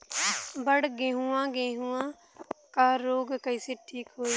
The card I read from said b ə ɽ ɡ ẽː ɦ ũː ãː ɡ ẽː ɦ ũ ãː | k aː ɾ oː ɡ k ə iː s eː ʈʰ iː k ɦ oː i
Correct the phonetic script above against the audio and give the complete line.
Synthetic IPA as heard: b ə ɽ ɡ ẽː ɦ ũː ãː ɡ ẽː ɦ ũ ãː | k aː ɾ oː ɡ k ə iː s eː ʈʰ iː k ɦ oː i